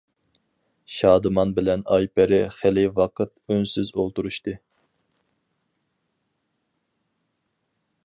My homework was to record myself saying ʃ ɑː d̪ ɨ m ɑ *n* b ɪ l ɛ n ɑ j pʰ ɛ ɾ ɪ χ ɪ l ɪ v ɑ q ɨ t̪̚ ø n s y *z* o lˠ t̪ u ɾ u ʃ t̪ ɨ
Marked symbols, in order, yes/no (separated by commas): yes, yes